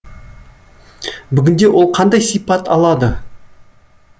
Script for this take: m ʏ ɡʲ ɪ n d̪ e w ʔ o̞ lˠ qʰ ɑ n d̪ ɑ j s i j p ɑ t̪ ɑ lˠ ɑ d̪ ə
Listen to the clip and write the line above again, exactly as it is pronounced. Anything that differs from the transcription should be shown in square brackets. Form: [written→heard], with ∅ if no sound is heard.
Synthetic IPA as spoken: [m→b] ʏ ɡʲ ɪ n d̪ e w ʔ o̞ lˠ qʰ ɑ n d̪ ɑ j s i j p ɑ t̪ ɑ lˠ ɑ d̪ ə